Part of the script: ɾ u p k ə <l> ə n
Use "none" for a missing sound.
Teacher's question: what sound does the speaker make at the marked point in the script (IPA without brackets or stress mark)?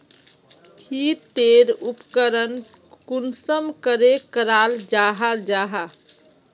ɾ